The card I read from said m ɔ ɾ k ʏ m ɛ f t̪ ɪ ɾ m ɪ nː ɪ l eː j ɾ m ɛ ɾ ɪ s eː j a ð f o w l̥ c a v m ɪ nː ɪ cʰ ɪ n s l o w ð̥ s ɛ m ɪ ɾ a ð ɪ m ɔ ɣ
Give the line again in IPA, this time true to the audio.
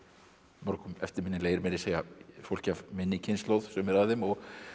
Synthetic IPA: m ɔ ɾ k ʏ m ɛ f t̪ ɪ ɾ m ɪ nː ɪ l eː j ɾ m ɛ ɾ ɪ s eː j a f o w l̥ c a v m ɪ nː ɪ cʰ ɪ n s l o w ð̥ s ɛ m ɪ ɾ a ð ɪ m ɔ ɣ